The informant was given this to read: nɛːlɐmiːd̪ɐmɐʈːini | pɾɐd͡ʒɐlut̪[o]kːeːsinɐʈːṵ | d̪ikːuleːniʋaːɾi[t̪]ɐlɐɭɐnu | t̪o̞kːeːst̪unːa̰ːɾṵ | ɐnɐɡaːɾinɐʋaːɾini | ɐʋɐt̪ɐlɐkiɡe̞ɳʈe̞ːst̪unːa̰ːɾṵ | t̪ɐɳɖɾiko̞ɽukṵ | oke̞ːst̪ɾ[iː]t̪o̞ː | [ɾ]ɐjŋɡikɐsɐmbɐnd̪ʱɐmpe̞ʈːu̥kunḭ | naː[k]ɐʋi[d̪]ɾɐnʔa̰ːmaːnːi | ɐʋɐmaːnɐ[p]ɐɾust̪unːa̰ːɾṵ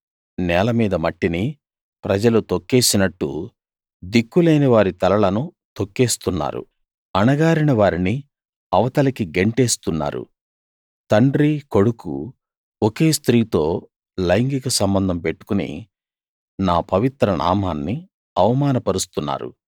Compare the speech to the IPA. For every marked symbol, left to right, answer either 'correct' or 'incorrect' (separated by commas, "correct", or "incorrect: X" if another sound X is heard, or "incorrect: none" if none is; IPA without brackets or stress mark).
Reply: correct, correct, correct, incorrect: l, incorrect: p, incorrect: t̪, correct